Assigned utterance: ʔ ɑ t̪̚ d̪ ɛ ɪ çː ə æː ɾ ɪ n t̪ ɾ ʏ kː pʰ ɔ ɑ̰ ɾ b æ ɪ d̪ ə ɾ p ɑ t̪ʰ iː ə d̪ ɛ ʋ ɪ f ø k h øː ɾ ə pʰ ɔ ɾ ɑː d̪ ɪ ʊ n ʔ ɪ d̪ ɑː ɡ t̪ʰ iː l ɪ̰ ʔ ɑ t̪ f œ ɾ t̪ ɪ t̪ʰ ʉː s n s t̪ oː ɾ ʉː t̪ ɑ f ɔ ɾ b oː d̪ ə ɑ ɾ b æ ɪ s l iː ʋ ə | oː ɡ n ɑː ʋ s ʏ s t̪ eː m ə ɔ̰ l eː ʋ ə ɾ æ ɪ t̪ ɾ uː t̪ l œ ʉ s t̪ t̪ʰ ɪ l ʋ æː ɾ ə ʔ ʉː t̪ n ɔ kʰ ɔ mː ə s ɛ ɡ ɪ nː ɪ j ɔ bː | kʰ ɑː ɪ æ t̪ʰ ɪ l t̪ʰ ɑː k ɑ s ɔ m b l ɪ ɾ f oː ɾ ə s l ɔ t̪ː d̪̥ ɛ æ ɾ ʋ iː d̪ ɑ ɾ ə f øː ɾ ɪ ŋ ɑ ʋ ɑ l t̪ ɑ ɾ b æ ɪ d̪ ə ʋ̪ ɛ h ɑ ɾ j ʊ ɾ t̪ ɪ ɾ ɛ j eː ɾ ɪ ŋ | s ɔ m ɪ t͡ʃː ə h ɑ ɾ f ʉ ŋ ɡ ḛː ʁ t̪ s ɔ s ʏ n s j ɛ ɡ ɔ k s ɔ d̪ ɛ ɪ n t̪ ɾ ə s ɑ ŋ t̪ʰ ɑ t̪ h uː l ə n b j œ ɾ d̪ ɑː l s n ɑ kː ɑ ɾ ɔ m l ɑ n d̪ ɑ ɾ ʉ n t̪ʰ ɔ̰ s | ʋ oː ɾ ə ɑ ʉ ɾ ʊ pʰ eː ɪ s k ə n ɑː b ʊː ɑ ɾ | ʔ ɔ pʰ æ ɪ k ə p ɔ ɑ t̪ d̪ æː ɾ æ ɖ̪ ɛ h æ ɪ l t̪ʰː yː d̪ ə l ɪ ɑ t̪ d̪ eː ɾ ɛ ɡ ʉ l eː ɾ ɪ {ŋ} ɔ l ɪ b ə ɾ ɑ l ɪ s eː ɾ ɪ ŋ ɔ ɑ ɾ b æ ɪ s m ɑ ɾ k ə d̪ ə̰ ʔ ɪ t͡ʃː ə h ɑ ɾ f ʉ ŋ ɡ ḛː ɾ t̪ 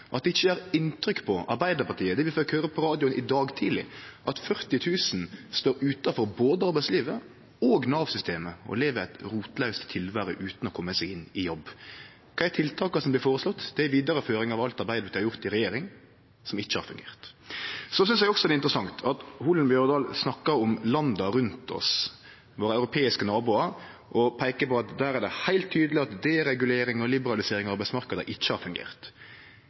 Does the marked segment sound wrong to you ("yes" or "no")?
no